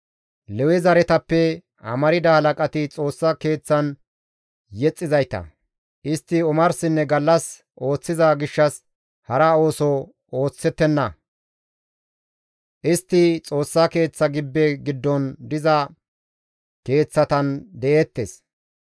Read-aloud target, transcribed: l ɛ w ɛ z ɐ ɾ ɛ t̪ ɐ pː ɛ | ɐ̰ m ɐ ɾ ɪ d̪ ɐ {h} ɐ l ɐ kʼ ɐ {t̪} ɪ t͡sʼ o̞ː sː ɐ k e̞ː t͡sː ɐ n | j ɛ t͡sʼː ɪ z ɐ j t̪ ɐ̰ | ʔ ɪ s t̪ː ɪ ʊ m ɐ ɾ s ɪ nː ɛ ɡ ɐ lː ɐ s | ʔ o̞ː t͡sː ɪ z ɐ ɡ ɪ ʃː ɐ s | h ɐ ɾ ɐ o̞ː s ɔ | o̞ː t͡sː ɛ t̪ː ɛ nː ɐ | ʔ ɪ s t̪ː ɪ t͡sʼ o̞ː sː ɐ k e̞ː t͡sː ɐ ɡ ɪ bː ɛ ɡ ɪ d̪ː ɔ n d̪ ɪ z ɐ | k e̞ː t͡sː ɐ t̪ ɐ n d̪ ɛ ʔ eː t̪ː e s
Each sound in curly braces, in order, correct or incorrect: correct, correct

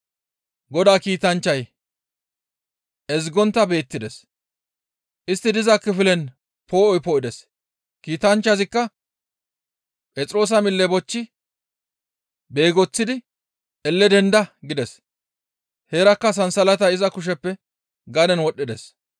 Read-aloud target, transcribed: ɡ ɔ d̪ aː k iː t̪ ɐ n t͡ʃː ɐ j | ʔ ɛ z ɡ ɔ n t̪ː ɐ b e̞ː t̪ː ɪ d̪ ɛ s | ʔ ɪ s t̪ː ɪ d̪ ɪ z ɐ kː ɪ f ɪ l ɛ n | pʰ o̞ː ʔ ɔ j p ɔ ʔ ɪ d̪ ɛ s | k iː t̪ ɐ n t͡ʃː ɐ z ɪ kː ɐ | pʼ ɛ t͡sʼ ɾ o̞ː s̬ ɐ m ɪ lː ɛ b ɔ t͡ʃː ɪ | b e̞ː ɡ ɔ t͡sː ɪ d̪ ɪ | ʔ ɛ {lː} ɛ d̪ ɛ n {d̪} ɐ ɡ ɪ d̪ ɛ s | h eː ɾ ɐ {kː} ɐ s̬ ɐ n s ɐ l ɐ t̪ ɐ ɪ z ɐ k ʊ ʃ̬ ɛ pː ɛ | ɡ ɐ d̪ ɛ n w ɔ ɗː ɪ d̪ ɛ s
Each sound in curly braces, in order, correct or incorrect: correct, correct, correct

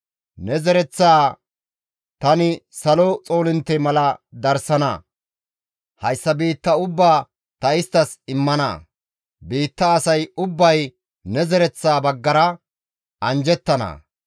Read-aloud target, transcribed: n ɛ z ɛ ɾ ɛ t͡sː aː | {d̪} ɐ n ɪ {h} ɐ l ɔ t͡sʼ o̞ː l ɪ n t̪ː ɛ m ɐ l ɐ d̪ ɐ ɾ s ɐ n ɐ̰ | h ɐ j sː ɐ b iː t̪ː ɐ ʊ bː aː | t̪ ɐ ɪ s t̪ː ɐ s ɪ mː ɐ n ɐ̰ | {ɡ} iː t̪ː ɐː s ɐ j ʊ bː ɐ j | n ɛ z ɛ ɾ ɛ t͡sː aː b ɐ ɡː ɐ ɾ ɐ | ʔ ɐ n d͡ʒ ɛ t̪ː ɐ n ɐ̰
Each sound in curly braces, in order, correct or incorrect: incorrect: t̪, incorrect: s, incorrect: b

